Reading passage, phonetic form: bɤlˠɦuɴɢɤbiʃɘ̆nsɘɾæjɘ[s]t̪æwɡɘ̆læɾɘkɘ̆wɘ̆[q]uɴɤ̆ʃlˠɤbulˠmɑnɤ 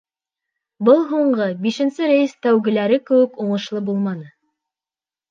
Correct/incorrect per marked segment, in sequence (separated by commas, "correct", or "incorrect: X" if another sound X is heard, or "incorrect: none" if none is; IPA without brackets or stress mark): correct, incorrect: k